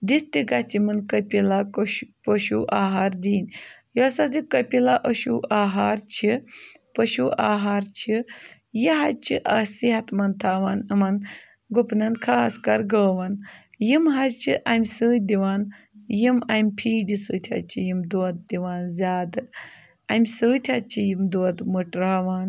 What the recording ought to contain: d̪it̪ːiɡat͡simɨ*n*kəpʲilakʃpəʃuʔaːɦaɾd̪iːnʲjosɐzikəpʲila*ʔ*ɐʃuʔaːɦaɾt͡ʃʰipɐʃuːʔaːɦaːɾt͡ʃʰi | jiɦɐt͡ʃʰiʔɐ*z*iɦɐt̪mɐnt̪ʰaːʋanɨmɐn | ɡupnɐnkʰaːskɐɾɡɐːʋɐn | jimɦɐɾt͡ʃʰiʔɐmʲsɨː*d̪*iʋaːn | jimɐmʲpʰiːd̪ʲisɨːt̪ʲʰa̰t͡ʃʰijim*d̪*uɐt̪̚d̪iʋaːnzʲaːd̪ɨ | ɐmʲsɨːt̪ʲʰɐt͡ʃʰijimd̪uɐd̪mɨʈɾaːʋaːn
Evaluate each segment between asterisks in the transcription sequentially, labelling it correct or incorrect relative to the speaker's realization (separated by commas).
correct, correct, incorrect, correct, correct